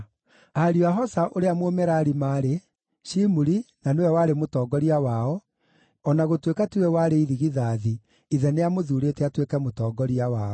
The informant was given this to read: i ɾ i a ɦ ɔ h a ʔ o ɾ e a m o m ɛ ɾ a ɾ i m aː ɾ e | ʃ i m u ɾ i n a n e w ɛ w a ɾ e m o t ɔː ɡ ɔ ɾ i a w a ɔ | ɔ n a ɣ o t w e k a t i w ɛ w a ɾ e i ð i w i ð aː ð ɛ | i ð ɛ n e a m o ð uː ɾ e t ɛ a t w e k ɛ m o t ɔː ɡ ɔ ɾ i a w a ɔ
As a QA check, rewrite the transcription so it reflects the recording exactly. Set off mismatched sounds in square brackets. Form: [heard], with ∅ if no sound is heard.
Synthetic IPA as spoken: [a] ɾ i a ɦ ɔ [s] a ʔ o ɾ e a m o m ɛ ɾ a ɾ i m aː ɾ e | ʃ i m u ɾ i n a n e w ɛ w a ɾ e m o t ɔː ɡ ɔ ɾ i a w a ɔ | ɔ n a ɣ o t w e k a t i w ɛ w a ɾ e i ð i [ɣ] i ð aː ð [i] | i ð ɛ n e a m o ð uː ɾ e t ɛ a t w e k ɛ m o t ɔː ɡ ɔ ɾ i a w a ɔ